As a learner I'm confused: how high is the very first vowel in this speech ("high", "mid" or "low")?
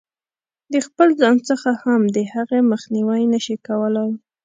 mid